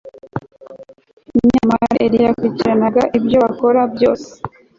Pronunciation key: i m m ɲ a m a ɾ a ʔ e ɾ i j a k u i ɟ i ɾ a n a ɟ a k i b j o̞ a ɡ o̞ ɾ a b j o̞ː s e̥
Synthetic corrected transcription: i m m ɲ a m a ɾ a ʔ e ɾ i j a k u i c i ɾ a n a ɡ a ʔ i b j o̞ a k o̞ ɾ a b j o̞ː s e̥